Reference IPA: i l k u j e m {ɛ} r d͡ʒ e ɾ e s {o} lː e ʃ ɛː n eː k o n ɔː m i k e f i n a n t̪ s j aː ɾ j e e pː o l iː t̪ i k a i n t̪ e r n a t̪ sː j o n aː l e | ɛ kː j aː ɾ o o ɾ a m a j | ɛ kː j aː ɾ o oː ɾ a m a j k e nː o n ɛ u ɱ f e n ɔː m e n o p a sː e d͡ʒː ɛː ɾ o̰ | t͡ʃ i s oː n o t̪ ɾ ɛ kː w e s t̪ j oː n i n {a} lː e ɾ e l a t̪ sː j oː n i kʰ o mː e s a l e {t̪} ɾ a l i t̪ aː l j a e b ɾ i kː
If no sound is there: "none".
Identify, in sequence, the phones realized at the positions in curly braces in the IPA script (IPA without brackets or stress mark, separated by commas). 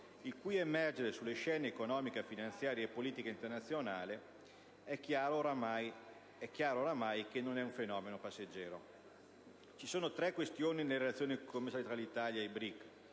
ɛ, u, e, t̪